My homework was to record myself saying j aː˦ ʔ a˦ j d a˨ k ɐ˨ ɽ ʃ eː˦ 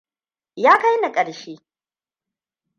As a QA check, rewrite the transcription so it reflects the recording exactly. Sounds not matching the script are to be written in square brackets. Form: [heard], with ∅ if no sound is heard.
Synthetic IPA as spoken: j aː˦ [k] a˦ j [n] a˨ [kʼ] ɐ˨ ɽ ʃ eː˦